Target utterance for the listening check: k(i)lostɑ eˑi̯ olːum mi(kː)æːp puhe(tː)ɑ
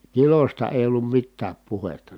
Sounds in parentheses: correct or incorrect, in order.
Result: correct, incorrect: tː, correct

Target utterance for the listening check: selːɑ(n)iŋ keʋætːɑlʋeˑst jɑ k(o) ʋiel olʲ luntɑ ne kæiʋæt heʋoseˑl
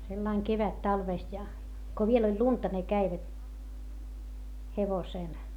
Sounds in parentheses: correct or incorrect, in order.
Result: incorrect: none, correct

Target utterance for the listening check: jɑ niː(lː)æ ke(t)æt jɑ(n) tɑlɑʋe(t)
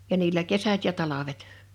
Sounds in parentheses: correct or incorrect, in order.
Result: correct, incorrect: s, incorrect: none, correct

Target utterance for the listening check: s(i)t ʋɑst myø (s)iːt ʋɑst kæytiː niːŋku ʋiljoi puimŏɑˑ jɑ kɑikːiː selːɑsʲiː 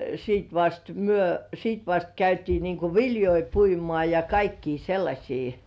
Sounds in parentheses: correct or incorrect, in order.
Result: incorrect: iː, correct

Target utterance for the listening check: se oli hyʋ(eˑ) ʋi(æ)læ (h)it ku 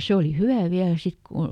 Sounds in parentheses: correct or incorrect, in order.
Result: incorrect: æˑ, correct, incorrect: s

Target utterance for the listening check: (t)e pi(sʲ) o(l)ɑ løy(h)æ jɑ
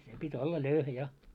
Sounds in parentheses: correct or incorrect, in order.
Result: incorrect: s, incorrect: tʲ, incorrect: lː, correct

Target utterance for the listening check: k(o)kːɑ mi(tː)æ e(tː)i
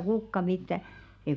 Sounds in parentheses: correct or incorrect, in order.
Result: incorrect: u, correct, incorrect: none

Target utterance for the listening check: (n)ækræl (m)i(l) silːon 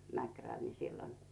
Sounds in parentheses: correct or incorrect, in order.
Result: incorrect: m, incorrect: n, incorrect: none

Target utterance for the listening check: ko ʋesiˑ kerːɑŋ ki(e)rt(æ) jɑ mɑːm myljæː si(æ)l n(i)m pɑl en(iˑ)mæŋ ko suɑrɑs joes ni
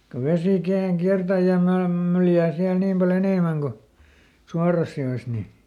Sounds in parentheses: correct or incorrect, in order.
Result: incorrect: æ, correct, correct, incorrect: iː, incorrect: eˑ

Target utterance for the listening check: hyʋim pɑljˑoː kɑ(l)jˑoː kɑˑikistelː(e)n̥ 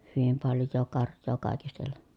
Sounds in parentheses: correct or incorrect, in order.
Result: incorrect: r, correct

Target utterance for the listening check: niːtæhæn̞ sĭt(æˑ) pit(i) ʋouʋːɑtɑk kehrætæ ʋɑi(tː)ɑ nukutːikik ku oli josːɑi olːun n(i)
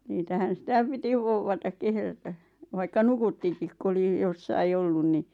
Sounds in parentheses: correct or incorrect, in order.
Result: correct, correct, incorrect: kː, correct

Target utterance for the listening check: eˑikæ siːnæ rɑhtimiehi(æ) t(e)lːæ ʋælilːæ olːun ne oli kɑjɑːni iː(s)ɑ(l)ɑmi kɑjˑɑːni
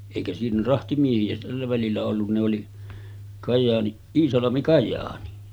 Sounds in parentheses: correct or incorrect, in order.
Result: correct, incorrect: æ, correct, correct

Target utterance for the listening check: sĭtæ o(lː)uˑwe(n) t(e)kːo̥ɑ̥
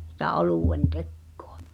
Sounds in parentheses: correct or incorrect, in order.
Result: incorrect: l, correct, correct

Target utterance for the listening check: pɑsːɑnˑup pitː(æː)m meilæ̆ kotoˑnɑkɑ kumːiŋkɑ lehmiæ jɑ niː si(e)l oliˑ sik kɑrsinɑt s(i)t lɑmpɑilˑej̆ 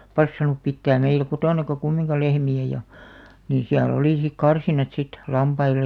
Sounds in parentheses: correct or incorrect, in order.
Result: correct, incorrect: æ, correct

